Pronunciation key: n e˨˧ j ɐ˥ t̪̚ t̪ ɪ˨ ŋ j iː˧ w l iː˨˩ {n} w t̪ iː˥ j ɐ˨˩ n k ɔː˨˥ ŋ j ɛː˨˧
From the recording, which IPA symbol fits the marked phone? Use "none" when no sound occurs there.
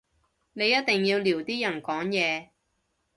none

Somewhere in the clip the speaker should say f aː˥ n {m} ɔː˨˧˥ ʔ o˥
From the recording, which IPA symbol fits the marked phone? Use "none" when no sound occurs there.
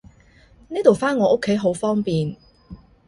ŋ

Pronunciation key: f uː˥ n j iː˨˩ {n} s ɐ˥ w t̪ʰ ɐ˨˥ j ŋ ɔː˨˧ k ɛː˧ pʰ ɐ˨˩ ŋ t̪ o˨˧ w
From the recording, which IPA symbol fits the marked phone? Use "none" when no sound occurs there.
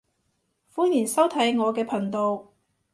n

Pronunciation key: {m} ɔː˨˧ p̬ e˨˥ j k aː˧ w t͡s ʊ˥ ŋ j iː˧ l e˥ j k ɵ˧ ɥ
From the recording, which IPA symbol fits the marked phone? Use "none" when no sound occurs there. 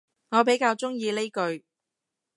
ŋ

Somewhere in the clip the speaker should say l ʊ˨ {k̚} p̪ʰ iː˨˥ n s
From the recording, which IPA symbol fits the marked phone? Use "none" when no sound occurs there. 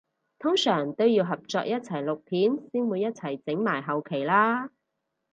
k̚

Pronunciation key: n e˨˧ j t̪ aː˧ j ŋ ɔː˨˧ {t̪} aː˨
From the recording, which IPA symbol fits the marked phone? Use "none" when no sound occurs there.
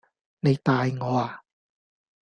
none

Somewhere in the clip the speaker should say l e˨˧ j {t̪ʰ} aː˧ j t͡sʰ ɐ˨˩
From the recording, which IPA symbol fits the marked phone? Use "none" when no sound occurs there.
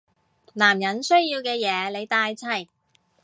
t̪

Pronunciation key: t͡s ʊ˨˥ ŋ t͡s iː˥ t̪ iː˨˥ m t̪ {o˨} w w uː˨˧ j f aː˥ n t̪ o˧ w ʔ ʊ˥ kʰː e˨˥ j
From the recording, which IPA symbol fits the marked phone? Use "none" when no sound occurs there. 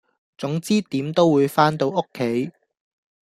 o˥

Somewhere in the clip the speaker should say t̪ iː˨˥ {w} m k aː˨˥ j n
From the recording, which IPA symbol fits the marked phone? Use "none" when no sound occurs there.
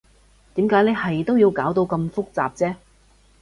none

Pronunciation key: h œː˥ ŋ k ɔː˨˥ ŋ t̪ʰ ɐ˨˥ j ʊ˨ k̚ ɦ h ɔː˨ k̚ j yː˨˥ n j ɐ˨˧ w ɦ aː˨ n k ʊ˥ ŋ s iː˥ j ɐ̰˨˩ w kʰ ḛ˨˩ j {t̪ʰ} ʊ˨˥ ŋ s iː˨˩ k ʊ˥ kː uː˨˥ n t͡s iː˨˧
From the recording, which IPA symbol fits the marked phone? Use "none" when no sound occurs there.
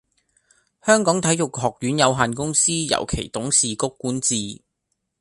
t̪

